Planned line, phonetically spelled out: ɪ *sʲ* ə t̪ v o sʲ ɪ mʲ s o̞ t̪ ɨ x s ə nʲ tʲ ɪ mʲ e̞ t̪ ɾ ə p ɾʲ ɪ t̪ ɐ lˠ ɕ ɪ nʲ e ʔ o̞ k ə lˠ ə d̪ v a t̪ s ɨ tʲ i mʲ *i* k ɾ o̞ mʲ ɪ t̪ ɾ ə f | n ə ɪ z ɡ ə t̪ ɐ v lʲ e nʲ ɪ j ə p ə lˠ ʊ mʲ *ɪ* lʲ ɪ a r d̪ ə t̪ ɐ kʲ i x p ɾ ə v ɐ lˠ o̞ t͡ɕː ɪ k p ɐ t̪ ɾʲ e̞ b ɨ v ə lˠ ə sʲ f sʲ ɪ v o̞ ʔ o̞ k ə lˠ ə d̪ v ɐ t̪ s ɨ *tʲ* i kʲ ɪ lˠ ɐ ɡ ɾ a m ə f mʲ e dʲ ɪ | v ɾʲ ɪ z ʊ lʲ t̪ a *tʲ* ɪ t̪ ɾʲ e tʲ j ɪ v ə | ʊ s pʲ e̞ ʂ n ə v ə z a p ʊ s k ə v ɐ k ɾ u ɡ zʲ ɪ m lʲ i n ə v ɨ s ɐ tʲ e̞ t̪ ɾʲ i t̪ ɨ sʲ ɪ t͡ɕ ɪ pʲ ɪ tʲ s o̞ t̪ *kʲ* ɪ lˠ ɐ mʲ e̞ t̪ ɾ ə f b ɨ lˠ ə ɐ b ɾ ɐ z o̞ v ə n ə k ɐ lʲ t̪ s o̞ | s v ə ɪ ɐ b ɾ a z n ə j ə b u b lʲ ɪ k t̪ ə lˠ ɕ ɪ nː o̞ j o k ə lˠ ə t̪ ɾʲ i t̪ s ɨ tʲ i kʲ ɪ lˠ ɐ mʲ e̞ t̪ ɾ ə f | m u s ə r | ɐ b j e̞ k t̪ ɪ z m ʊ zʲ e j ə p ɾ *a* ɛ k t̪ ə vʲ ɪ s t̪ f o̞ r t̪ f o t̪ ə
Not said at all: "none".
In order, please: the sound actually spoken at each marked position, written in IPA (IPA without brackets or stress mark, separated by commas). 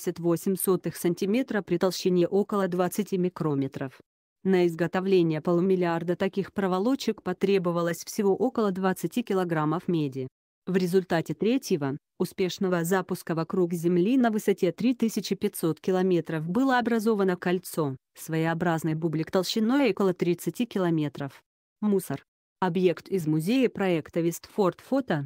sʲ, ɪ, ɪ, tʲ, tʲ, kʲ, ɐ